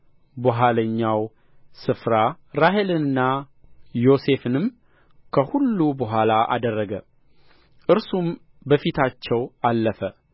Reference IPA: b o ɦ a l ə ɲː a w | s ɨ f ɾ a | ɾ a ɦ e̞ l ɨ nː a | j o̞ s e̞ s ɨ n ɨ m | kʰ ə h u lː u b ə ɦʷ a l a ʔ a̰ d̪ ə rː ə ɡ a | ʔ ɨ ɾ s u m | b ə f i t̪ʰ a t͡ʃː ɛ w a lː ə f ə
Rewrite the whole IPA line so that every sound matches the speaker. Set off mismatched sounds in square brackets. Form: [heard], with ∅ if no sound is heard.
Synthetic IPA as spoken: b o ɦ a l ə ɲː a w | s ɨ f ɾ a | ɾ a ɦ e̞ l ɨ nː a | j o̞ s e̞ [f] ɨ n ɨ m | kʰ ə h u lː u b ə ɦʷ a l a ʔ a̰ d̪ ə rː ə ɡ [ə] | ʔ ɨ ɾ s u m | b ə f i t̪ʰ a t͡ʃː ɛ w a lː ə f ə